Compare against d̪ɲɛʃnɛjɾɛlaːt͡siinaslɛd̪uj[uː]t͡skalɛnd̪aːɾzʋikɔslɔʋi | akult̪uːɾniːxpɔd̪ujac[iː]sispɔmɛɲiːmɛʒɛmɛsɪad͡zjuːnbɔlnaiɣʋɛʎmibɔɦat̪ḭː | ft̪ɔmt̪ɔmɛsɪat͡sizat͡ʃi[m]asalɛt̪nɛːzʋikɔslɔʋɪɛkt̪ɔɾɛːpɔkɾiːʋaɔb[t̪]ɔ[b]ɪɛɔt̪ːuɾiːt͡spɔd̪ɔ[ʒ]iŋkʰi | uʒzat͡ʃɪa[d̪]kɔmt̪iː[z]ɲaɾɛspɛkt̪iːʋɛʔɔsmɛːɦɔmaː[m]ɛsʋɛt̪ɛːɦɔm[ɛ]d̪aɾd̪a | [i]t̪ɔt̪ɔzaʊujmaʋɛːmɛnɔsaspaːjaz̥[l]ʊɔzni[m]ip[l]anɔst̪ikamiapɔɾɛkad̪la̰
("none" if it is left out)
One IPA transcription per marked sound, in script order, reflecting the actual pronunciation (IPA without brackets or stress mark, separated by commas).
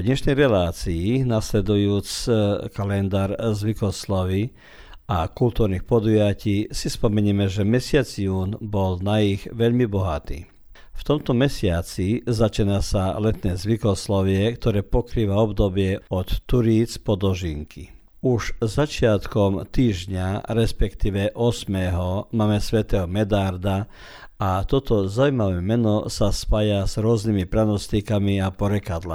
uː, iː, n, d̪, b, ʒ, t̪, ʒ, m, ɛ, a, ɾ, m, ɾ